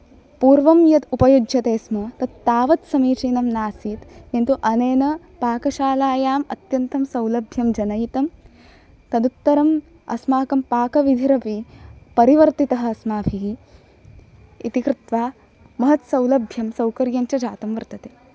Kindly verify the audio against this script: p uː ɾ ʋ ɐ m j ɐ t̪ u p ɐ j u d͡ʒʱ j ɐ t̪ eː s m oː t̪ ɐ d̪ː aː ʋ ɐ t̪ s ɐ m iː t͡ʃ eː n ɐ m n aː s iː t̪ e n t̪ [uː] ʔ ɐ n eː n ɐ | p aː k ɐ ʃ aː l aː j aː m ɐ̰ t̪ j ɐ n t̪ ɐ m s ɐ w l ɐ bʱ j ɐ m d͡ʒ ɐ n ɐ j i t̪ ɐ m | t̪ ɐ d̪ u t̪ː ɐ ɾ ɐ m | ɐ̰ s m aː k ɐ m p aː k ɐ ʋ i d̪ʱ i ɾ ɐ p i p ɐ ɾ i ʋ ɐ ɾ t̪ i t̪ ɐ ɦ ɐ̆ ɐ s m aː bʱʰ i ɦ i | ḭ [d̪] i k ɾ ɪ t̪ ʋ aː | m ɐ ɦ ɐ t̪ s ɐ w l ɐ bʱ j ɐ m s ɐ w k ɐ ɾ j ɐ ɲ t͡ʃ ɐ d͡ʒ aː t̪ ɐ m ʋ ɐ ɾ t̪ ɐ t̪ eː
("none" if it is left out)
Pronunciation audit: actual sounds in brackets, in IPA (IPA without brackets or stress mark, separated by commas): u, t̪